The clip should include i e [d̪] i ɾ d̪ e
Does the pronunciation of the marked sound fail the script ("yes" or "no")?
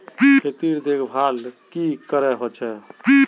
yes